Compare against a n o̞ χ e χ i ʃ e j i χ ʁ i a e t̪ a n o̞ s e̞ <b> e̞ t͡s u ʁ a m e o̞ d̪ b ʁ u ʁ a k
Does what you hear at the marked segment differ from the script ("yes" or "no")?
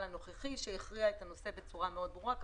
no